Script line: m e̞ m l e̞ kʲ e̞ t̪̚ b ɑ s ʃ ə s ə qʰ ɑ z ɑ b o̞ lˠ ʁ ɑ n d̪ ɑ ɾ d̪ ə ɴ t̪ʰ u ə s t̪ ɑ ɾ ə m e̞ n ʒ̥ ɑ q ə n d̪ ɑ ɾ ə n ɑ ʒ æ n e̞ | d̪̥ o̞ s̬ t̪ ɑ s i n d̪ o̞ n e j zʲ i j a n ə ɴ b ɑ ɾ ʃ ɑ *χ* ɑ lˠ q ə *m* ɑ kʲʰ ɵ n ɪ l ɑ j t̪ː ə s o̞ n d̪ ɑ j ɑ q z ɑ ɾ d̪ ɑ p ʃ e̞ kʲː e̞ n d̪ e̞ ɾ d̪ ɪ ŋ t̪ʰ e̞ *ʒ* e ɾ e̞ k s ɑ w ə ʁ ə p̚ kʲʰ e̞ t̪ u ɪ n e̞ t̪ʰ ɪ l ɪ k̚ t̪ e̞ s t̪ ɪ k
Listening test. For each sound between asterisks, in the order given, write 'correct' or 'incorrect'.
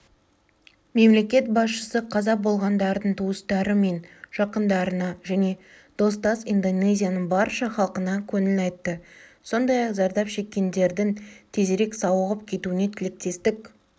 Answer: correct, incorrect, incorrect

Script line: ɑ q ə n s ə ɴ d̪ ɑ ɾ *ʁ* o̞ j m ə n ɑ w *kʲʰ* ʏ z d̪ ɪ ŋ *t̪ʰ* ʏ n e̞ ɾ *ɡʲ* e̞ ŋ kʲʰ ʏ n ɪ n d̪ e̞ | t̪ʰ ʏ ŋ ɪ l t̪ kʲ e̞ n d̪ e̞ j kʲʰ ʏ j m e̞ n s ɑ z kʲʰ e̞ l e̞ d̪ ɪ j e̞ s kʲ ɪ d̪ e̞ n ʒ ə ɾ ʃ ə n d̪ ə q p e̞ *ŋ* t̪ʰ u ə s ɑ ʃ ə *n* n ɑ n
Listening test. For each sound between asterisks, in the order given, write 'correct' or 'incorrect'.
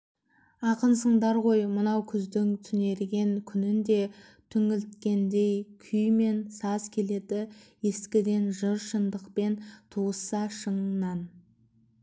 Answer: correct, correct, correct, correct, incorrect, incorrect

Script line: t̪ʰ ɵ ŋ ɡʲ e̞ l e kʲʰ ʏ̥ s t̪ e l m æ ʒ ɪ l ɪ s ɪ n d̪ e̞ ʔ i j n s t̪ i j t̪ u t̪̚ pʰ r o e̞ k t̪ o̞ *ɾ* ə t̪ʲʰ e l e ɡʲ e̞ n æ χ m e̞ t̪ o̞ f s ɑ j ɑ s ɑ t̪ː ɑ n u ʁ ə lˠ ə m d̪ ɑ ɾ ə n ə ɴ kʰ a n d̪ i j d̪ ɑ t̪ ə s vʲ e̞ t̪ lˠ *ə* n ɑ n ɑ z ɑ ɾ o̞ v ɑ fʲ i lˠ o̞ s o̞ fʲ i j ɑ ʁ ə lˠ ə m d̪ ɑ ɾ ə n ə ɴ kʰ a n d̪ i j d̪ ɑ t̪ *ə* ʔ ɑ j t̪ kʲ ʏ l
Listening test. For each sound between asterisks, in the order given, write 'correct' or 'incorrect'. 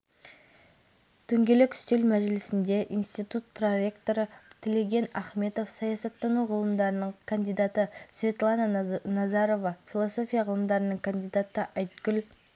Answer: correct, incorrect, correct

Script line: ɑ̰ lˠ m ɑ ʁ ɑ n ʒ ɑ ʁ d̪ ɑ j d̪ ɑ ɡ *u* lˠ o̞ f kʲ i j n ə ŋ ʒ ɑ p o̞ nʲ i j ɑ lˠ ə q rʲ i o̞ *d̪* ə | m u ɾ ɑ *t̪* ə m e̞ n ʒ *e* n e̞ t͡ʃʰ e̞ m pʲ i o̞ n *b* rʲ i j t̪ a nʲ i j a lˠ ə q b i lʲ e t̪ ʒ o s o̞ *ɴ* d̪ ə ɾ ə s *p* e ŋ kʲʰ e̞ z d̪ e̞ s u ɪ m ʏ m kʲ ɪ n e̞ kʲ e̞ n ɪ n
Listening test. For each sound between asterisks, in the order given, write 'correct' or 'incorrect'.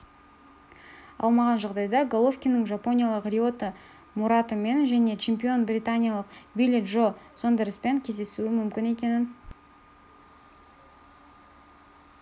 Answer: incorrect, incorrect, correct, incorrect, correct, incorrect, correct

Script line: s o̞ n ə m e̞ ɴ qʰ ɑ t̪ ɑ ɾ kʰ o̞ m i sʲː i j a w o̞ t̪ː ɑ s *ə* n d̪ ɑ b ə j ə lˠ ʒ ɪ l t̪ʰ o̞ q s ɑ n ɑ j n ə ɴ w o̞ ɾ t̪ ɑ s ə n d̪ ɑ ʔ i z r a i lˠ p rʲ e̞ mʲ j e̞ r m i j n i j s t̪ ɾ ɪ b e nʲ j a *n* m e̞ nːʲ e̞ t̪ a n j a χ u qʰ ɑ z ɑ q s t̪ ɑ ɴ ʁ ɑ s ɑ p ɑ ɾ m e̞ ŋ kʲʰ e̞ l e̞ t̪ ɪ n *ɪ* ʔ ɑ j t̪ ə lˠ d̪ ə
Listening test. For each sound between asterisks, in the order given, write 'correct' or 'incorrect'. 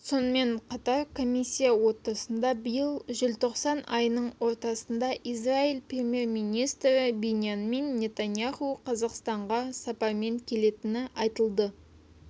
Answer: correct, correct, correct

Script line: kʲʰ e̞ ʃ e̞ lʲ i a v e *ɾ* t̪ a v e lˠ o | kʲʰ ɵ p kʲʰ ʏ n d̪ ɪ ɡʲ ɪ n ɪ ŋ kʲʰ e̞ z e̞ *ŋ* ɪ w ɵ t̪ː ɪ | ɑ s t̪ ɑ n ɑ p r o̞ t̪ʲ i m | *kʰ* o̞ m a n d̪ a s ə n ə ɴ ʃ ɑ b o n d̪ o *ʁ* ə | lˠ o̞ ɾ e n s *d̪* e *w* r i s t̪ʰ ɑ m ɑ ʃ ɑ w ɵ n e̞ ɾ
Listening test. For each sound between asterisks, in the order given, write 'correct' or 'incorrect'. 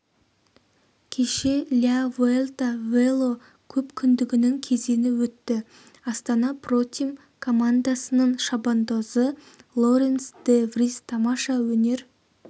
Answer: incorrect, incorrect, correct, incorrect, correct, incorrect

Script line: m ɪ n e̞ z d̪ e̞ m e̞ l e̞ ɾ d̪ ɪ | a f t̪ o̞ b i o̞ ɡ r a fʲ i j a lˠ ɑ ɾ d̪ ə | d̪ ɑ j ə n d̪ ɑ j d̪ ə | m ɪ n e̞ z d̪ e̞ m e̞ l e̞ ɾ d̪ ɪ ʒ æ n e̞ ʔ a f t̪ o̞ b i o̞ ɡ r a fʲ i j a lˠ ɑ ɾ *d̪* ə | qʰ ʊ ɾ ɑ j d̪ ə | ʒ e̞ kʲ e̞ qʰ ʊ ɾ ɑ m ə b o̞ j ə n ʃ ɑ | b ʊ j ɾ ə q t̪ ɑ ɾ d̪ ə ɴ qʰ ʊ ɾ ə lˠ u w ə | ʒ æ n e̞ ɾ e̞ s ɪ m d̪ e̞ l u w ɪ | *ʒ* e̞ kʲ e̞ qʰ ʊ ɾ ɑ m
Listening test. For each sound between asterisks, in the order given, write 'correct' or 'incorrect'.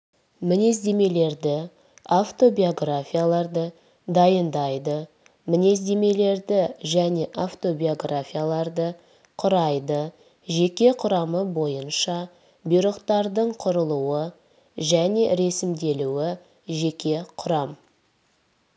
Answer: correct, correct

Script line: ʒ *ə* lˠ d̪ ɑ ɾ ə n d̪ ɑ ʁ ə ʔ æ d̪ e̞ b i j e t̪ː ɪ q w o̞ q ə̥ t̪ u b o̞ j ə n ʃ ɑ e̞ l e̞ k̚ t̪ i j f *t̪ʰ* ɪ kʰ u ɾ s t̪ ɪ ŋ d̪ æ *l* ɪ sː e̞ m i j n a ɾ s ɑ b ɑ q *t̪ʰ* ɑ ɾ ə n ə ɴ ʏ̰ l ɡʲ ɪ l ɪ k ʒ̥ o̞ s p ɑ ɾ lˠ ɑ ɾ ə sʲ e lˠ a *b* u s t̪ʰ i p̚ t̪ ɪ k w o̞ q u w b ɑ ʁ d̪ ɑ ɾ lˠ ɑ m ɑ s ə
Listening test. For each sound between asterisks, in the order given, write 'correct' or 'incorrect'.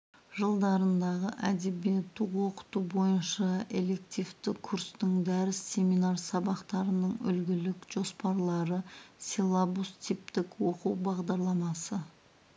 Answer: correct, incorrect, incorrect, incorrect, correct

